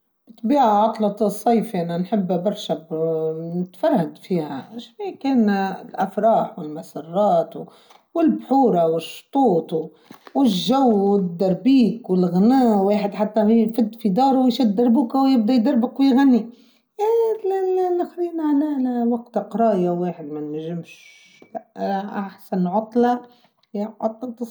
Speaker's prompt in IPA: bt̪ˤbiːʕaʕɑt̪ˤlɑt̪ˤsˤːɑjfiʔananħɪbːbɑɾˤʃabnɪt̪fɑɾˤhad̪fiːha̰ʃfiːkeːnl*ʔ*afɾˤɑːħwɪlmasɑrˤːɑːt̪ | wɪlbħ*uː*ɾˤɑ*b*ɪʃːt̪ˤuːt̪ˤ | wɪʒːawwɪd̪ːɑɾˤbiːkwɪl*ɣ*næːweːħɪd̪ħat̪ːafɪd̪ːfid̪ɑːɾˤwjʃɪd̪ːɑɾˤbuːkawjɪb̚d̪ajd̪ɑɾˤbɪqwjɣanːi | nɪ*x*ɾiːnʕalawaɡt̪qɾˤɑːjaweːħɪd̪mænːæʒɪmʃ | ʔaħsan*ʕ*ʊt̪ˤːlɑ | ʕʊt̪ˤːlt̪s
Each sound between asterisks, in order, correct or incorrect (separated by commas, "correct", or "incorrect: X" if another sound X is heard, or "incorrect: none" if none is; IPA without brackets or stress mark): correct, correct, incorrect: w, correct, correct, correct